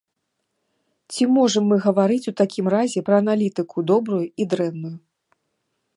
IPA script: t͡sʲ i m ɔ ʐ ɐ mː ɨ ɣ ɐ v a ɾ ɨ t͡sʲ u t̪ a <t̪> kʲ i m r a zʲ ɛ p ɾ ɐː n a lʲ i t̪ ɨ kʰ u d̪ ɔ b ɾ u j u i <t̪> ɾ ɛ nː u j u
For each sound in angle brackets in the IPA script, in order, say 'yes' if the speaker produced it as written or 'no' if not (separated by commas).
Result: no, no